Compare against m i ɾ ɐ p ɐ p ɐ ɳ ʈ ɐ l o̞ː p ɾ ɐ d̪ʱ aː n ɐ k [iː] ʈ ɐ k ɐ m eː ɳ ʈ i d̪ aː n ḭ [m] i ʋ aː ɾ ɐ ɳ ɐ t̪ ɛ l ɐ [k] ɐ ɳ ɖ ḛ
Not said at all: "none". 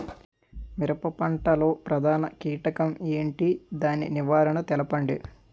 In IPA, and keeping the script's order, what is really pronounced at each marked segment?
iː, n, p

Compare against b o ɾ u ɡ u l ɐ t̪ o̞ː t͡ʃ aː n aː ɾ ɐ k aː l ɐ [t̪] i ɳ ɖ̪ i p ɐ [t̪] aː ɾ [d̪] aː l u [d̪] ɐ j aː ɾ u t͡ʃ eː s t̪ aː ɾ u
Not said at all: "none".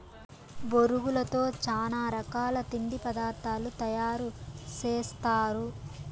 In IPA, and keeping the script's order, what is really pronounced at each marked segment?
t̪, d̪, t̪, t̪

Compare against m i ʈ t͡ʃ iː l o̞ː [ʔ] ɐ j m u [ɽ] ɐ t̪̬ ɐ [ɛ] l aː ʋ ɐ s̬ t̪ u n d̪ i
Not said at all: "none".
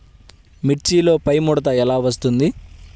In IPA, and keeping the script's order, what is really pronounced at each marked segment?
p, ɽ, ɛ

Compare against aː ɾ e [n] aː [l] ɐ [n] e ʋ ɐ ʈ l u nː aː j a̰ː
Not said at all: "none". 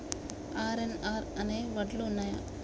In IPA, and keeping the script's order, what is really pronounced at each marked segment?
n, ɾ, n

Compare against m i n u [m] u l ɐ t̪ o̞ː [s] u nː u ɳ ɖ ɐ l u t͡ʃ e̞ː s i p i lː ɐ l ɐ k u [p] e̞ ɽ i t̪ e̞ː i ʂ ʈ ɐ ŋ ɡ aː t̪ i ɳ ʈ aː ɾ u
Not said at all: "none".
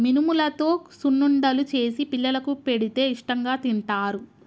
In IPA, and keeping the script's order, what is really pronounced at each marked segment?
m, s, p

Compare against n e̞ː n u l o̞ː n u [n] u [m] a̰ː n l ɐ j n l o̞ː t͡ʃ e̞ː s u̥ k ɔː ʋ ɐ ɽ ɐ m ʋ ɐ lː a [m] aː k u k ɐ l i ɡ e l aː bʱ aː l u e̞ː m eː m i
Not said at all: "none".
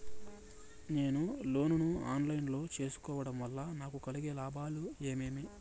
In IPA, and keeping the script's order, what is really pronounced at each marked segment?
n, none, n

